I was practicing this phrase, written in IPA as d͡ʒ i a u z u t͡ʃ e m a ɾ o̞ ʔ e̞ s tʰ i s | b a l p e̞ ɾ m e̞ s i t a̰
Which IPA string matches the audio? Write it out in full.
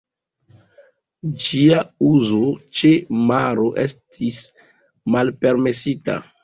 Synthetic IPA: d͡ʒ i a u z o t͡ʃ e m a ɾ o̞ ʔ e̞ s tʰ i s | m a l p e̞ ɾ m e̞ s i t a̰